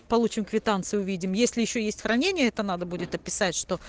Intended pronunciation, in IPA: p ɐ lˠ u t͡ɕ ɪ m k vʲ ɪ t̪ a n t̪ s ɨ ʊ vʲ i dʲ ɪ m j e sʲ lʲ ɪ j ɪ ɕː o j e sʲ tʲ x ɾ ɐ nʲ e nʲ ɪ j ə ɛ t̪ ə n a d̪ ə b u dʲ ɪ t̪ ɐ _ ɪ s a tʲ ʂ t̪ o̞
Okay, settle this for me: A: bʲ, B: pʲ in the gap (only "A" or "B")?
B